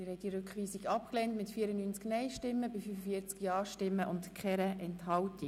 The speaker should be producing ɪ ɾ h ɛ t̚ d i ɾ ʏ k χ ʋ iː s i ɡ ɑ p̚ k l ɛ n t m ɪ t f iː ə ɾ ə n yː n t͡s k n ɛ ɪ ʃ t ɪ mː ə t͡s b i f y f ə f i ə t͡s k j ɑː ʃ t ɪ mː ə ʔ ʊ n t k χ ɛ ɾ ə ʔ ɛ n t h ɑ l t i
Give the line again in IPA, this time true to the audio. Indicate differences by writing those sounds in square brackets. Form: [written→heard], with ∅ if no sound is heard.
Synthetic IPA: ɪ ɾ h ɛ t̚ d i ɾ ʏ k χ ʋ iː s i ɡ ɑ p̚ k l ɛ n t m ɪ t f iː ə ɾ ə n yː n t͡s k n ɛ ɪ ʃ t ɪ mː ə [t͡s→∅] b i f y f ə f i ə t͡s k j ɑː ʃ t ɪ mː ə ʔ ʊ n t k χ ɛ ɾ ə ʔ ɛ n t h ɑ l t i